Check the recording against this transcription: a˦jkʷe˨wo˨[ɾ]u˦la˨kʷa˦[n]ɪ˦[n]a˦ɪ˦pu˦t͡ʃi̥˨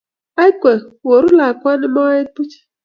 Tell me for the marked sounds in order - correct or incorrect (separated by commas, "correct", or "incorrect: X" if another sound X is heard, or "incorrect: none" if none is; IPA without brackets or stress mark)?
correct, correct, incorrect: m